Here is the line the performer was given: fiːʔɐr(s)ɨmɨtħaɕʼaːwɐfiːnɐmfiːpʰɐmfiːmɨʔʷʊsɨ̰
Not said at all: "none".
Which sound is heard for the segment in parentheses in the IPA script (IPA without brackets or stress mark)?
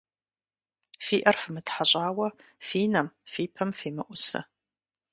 f